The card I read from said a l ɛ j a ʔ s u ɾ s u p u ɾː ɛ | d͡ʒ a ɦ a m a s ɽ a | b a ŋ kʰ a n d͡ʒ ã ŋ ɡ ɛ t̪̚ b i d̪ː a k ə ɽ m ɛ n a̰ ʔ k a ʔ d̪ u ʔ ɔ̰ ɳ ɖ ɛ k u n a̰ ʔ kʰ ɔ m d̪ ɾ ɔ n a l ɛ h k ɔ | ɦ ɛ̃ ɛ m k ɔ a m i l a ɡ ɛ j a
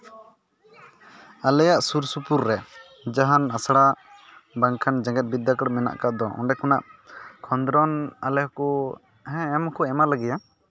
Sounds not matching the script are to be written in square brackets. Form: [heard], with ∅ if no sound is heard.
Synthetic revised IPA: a l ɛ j a ʔ s u ɾ s u p u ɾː ɛ | d͡ʒ a ɦ a [n] a s ɽ a | b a ŋ kʰ a n d͡ʒ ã ŋ ɡ ɛ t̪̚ b i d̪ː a k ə ɽ m ɛ n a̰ ʔ k a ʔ d̪ [ɔ] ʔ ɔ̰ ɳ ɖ ɛ k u n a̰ ʔ kʰ ɔ [n] d̪ ɾ ɔ n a l ɛ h k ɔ | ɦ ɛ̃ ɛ m k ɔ [ɛ] m [a] l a ɡ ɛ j a